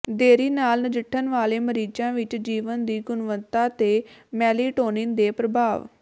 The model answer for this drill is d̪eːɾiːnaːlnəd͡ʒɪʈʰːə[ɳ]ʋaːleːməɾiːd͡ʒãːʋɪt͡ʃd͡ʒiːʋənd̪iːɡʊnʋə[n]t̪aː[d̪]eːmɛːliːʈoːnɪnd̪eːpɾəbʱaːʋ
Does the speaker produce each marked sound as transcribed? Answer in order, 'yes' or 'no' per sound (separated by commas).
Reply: no, yes, no